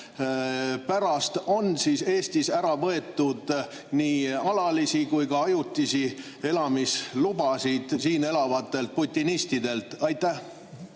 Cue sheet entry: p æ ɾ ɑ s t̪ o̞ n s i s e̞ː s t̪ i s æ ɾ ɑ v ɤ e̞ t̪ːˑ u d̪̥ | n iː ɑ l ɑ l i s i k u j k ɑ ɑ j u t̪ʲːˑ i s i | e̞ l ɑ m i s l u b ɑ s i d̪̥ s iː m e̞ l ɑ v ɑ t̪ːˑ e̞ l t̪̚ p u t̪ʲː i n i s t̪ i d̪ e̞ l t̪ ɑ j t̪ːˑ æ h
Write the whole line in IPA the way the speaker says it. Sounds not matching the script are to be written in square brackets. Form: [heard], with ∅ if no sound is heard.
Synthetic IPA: p æ ɾ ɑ s t̪ o̞ n s i s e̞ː s t̪ i s æ ɾ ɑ v ɤ e̞ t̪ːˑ u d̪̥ | n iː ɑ l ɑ l i s i k u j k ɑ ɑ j u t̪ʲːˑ i s i | e̞ l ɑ m i s l u b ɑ s i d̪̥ s iː [n] e̞ l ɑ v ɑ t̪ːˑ e̞ l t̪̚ p u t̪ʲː i n i s t̪ i d̪ e̞ l t̪ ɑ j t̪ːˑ æ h

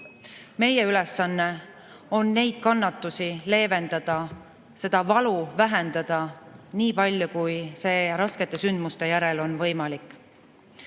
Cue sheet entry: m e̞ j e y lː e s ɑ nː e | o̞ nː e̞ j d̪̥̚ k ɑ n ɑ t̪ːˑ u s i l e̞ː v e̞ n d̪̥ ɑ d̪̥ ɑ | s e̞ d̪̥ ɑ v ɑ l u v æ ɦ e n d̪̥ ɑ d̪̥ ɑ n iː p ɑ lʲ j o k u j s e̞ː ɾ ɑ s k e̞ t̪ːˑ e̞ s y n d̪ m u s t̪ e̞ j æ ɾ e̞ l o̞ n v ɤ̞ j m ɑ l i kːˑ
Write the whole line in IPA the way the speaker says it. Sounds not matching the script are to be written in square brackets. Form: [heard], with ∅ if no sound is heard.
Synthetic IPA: m e̞ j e y [l] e s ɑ nː e | o̞ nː e̞ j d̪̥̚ k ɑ [nː] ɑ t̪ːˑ u s i l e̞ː v e̞ n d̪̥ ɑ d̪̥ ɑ | s e̞ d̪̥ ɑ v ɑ l u v æ ɦ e n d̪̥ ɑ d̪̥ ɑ n iː p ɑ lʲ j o k u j s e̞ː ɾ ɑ s k e̞ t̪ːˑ e̞ s y n d̪ m u s t̪ e̞ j æ ɾ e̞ l o̞ n v ɤ̞ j m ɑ l i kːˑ

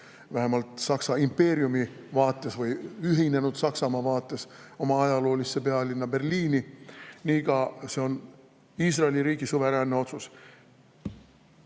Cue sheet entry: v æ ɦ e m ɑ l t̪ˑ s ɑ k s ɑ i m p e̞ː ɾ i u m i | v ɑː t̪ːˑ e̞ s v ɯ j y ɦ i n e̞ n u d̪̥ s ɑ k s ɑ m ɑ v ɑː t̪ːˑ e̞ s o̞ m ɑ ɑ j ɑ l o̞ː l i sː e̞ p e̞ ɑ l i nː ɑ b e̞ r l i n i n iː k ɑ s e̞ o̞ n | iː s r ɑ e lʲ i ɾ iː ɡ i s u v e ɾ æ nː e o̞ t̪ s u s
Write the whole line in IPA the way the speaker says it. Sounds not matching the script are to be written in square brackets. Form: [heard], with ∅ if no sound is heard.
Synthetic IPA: v æ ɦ e m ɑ l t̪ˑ s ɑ k s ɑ i m p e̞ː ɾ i u m i | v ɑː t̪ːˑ e̞ s v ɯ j y ɦ i n e̞ n u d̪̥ s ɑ k s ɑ m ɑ v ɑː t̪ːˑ e̞ s o̞ m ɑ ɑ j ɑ l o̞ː l i sː e̞ p e̞ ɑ l i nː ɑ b e̞ r l [iː] n i n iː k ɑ s e̞ o̞ n | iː s r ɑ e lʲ i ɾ iː ɡ i s u v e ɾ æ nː e o̞ t̪ s u s

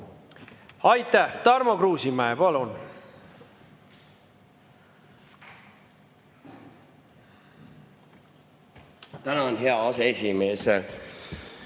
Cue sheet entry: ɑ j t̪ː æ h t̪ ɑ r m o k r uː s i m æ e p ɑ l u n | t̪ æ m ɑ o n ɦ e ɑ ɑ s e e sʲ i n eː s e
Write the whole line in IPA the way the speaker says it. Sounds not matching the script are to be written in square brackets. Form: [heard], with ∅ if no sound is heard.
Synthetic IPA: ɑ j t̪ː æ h t̪ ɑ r m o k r uː s i m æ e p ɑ l u n | t̪ æ [n] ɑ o n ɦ e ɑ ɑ s e e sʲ i [m] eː s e

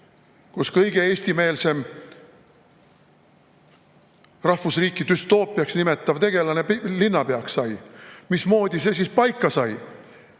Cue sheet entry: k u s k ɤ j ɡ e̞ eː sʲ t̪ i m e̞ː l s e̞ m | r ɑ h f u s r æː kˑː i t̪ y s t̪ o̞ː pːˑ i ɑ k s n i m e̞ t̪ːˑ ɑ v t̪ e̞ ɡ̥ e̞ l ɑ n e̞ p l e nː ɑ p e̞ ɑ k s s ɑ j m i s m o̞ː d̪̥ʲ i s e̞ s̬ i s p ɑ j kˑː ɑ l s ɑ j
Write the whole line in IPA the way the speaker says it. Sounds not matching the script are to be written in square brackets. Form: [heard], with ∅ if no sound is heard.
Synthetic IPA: k u s k ɤ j ɡ e̞ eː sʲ t̪ i m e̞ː l s e̞ m | r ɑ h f u s r [iː] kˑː i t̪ y s t̪ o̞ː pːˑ i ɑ k s n i m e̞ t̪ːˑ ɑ v t̪ e̞ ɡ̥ e̞ l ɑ n e̞ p l [i] nː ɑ p e̞ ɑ k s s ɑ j m i s m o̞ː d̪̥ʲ i s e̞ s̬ i s p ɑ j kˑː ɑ [∅] s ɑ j

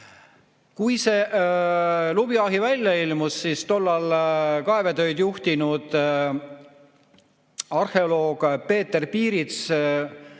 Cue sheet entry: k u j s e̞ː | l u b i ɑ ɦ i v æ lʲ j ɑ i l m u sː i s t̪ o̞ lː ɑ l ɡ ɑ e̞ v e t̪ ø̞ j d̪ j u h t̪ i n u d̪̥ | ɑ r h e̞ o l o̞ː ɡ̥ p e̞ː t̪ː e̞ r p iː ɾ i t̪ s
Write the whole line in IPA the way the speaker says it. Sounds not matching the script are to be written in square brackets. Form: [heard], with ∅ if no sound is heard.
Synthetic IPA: k u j s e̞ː | l u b i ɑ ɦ i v æ lʲ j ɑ i l m u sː i s t̪ o̞ lː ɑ l [k] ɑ e̞ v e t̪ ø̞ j d̪ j u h t̪ i n u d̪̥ | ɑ r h e̞ o l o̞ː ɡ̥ p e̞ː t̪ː e̞ r p iː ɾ i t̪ s

